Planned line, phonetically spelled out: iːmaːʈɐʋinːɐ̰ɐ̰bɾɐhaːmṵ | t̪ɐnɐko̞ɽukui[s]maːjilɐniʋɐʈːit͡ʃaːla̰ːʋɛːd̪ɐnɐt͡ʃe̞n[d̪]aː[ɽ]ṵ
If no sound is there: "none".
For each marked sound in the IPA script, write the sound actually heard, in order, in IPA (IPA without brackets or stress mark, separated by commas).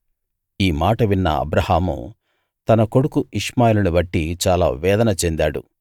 ʂ, d̪, ɽ